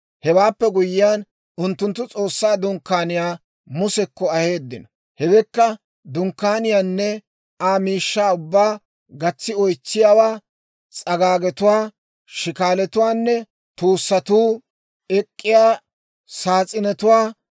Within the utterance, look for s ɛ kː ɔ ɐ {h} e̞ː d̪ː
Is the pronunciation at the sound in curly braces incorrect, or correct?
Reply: correct